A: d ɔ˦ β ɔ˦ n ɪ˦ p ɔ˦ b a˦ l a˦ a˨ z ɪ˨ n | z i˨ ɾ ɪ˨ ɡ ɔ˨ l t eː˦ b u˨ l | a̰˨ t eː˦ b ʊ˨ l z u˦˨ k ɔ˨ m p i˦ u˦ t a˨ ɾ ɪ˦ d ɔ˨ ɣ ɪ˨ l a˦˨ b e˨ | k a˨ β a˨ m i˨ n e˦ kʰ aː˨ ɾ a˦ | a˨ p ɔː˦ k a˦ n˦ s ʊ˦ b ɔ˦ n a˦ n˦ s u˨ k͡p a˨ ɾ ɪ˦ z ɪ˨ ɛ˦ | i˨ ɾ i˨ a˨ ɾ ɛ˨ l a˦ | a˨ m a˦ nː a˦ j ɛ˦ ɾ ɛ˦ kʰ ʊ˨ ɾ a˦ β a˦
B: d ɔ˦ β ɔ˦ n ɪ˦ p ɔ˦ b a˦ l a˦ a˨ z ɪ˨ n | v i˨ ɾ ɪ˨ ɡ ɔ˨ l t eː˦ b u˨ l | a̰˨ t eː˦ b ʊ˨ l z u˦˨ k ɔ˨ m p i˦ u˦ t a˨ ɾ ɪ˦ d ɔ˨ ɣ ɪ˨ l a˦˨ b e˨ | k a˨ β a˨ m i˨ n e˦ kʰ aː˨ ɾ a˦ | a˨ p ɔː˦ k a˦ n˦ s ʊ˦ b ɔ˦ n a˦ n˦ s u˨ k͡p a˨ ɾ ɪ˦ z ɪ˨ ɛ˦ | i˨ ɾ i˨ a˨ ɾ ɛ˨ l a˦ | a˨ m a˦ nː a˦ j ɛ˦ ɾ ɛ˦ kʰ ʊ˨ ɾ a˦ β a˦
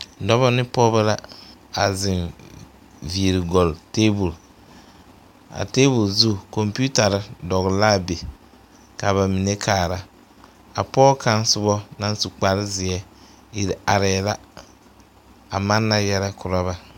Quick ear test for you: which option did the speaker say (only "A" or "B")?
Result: B